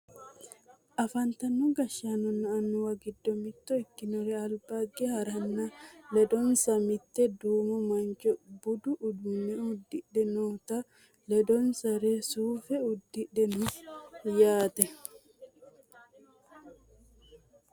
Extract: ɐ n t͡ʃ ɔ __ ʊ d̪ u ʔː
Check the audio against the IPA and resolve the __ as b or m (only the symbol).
b